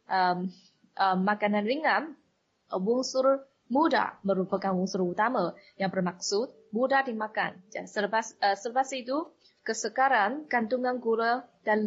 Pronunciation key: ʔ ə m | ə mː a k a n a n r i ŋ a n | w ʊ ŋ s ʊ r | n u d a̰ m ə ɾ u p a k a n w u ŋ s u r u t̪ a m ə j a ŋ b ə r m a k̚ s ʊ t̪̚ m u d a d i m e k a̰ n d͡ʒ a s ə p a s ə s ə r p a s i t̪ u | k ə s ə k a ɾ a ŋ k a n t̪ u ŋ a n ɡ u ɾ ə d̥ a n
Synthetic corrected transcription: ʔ ə m | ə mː a k a n a n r i ŋ a n | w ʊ ŋ s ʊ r | m u d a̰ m ə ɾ u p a k a n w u ŋ s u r u t̪ a m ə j a ŋ b ə r m a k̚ s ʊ t̪̚ m u d a d i m a k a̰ n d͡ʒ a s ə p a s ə s ə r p a s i t̪ u | k ə s ə k a ɾ a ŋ k a n t̪ u ŋ a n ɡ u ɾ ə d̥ a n